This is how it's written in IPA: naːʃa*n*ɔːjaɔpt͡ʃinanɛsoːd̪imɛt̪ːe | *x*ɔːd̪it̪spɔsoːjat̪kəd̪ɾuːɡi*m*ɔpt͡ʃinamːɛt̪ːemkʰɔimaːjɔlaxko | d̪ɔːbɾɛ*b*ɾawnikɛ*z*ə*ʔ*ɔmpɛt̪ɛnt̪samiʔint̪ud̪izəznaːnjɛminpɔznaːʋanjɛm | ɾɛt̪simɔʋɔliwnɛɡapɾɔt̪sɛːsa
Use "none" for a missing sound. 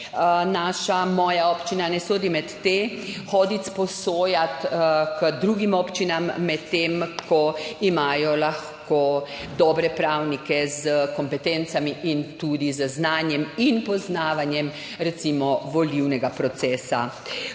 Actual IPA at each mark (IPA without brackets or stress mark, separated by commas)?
m, x, m, p, z, k